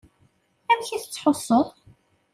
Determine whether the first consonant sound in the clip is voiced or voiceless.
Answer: voiced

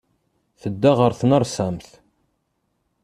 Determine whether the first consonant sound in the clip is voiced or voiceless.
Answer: voiceless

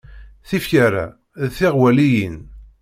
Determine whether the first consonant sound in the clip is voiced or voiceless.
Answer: voiceless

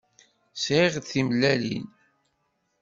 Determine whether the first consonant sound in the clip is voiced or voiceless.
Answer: voiceless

